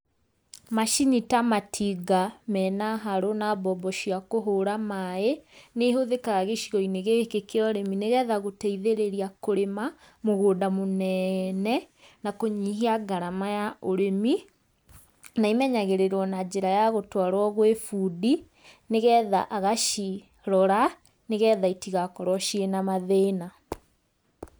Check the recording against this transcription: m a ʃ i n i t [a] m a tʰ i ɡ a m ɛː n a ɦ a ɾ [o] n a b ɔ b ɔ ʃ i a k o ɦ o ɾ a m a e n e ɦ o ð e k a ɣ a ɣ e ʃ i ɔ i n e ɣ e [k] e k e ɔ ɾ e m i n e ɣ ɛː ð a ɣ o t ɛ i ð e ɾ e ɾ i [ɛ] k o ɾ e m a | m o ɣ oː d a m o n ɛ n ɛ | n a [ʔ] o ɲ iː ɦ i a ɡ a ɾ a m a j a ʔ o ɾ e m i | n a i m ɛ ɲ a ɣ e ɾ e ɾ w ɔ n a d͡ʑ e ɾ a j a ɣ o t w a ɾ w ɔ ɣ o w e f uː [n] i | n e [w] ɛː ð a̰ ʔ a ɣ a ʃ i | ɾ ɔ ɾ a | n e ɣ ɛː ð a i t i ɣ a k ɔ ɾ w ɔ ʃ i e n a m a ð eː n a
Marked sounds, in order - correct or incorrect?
correct, correct, correct, incorrect, incorrect, incorrect, incorrect

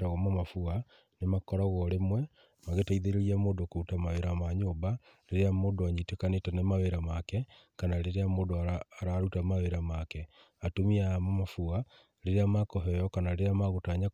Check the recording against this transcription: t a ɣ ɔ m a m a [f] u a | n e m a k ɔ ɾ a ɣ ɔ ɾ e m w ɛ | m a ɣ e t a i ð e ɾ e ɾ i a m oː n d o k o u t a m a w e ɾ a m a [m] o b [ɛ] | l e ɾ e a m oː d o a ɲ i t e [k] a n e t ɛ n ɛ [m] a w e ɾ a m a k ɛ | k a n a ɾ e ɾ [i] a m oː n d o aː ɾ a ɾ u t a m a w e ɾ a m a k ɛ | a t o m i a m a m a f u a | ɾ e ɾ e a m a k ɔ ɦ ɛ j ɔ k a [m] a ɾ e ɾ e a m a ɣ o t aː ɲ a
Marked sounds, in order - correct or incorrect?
correct, incorrect, incorrect, correct, correct, incorrect, incorrect

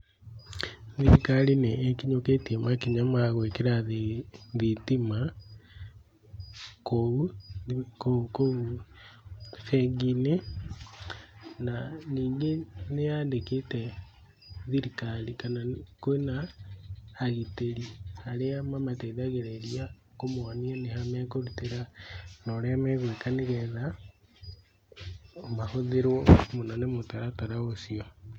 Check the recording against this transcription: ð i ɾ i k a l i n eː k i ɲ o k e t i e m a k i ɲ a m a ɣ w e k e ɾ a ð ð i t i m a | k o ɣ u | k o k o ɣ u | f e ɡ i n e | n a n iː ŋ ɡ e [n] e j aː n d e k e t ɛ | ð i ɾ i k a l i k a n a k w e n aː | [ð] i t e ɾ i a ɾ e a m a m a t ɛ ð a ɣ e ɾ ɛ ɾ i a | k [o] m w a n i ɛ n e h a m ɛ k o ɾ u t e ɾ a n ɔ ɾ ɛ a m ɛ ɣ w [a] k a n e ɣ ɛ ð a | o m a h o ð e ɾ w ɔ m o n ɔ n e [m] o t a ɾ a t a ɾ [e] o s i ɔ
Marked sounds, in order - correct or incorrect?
correct, incorrect, correct, incorrect, correct, incorrect

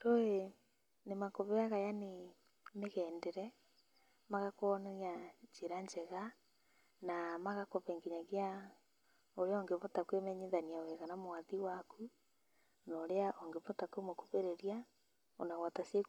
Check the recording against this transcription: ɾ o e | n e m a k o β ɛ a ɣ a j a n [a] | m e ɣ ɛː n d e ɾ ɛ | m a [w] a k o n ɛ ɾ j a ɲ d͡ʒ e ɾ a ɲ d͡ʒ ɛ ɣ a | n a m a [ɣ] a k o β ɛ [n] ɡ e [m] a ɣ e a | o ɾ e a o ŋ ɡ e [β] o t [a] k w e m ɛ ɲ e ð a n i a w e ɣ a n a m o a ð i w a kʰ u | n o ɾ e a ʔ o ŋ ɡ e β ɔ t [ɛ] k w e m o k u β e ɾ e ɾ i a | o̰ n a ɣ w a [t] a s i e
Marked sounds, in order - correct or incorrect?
incorrect, incorrect, correct, incorrect, incorrect, correct, correct, incorrect, correct

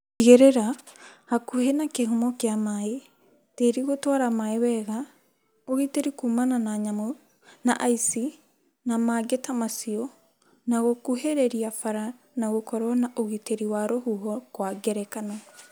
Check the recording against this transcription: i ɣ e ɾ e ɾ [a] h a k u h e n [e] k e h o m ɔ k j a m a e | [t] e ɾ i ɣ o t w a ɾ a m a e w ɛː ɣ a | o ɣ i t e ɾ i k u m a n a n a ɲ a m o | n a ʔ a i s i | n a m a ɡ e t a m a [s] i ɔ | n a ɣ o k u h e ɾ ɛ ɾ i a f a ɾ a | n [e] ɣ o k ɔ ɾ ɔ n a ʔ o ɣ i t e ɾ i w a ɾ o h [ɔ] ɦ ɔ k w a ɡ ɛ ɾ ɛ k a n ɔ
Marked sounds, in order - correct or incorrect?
correct, incorrect, correct, correct, incorrect, incorrect

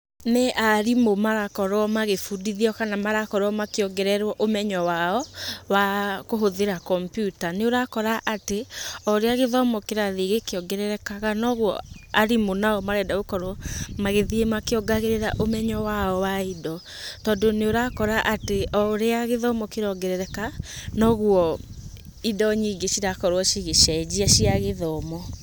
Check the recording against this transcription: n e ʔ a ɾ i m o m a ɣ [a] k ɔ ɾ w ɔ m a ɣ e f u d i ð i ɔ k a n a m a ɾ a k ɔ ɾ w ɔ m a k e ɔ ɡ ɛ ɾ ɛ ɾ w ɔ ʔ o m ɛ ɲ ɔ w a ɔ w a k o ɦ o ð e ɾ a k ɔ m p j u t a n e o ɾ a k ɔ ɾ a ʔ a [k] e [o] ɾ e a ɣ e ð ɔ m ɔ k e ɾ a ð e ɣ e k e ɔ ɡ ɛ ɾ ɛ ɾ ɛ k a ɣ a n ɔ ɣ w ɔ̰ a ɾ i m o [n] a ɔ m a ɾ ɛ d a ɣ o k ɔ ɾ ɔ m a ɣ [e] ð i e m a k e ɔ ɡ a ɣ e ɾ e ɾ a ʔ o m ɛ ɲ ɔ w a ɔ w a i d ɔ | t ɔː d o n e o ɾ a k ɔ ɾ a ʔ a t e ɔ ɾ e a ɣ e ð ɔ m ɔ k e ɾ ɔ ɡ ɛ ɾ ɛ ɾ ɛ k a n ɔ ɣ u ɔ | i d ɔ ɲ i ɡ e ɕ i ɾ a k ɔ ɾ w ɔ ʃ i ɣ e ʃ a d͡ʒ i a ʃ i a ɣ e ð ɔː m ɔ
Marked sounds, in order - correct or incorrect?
correct, incorrect, incorrect, correct, correct

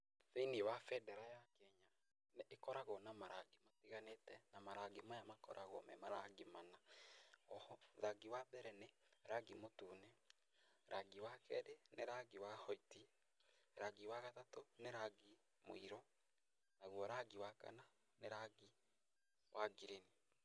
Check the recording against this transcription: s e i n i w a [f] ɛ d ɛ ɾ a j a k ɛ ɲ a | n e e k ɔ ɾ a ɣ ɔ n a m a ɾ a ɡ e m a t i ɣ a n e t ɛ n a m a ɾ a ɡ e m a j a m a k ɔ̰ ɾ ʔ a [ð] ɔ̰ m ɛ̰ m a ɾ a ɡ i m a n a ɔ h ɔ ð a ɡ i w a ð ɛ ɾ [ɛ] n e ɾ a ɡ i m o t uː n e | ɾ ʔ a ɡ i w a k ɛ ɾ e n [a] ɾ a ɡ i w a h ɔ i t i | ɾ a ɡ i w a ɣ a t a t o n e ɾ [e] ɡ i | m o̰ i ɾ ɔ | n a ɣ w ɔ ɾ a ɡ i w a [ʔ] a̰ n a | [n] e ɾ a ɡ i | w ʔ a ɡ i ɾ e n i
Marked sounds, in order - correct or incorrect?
correct, incorrect, correct, incorrect, incorrect, incorrect, correct

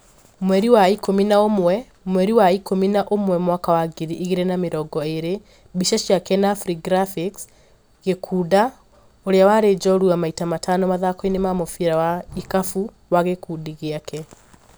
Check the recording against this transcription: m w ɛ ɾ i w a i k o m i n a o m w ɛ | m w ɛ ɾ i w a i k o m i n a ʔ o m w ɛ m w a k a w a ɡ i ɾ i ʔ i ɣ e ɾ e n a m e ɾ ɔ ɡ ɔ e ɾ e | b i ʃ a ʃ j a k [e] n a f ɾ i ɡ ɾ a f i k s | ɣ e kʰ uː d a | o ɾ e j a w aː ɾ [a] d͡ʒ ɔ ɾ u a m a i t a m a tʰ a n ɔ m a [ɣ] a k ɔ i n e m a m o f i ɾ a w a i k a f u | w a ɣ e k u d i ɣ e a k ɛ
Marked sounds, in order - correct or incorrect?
incorrect, incorrect, incorrect

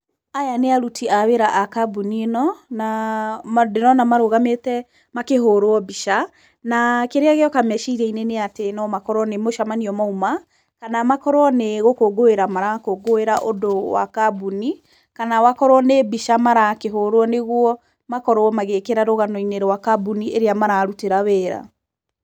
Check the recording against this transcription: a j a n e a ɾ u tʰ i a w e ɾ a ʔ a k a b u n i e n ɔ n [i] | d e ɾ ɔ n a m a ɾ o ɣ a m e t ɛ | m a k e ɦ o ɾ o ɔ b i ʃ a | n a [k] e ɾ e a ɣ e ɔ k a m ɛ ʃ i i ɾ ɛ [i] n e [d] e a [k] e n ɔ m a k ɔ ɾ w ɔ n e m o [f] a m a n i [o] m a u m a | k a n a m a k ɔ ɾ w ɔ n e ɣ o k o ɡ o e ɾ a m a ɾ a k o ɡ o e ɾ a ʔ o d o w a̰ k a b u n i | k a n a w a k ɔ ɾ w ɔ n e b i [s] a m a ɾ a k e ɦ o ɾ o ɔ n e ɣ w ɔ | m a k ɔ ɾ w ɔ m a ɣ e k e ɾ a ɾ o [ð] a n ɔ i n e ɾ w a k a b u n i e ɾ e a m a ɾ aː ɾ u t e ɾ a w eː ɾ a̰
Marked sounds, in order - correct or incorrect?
incorrect, correct, correct, incorrect, incorrect, incorrect, incorrect, incorrect, incorrect

